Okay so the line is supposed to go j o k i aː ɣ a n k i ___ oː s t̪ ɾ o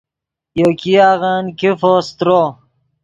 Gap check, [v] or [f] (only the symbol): f